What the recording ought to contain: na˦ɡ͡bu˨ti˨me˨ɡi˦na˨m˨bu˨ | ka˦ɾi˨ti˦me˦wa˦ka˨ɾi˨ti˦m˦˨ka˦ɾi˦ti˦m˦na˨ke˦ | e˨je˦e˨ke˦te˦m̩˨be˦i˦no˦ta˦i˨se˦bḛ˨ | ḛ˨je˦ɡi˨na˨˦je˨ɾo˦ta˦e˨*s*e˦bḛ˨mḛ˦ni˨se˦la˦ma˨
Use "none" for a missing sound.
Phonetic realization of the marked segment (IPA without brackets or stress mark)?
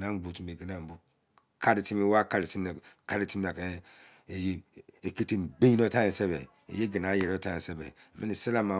s